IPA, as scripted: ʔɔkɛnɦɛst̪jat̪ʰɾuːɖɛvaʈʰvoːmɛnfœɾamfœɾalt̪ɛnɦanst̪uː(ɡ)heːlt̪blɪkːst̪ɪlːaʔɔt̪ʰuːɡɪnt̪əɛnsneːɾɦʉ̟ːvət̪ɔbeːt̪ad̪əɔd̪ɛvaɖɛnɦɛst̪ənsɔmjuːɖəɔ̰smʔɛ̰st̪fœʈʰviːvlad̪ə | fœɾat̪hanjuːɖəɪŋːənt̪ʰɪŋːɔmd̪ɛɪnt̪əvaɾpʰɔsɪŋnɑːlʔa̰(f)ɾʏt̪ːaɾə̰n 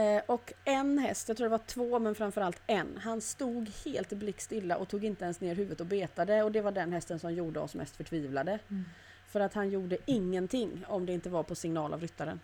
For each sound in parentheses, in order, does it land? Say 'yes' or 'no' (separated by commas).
yes, no